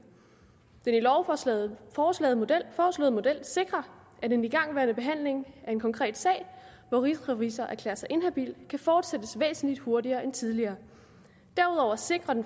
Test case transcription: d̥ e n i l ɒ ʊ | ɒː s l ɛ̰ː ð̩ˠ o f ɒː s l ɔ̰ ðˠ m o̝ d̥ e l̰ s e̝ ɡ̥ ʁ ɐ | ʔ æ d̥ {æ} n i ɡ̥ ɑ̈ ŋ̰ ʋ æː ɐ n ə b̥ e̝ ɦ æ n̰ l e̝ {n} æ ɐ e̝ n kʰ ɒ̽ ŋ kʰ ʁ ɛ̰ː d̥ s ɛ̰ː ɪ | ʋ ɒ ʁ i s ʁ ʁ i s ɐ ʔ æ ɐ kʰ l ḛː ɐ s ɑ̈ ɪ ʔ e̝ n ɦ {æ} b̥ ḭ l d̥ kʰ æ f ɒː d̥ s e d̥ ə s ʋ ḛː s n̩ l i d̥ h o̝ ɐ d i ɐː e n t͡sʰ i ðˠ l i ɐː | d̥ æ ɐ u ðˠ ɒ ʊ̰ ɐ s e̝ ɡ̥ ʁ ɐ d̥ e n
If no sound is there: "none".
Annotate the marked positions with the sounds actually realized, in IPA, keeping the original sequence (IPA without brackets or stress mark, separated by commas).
e, ŋ, æ